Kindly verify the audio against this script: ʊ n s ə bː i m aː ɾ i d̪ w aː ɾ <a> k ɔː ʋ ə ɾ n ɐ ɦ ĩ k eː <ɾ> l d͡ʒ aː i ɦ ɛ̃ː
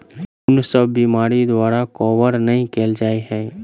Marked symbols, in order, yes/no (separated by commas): yes, no